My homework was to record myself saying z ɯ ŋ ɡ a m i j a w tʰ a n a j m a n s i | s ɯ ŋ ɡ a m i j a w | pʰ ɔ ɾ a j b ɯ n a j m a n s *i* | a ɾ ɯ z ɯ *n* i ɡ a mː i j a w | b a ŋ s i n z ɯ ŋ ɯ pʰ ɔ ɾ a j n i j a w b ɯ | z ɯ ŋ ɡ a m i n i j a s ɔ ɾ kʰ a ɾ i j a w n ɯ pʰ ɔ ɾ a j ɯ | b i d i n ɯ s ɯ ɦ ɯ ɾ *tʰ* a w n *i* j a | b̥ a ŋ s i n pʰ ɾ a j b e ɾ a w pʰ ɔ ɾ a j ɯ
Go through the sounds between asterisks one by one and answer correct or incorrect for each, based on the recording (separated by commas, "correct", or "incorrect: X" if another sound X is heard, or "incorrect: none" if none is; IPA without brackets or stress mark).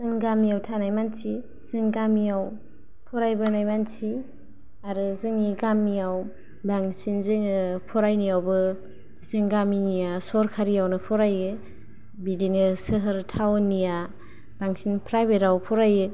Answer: correct, incorrect: ŋ, correct, correct